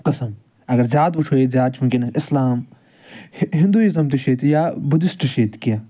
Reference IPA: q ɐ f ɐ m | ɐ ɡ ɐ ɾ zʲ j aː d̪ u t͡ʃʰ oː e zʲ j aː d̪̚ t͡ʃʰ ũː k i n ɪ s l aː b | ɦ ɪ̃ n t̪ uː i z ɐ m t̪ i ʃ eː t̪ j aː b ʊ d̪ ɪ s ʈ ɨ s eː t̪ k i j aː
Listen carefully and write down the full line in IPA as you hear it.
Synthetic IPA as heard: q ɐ s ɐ m | ɐ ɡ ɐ ɾ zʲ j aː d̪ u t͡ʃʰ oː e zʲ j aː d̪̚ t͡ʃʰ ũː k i n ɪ s l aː m | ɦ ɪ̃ n d̪ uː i z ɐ m t̪ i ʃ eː t̪ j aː b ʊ d̪ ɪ s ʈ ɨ ʃ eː t̪ k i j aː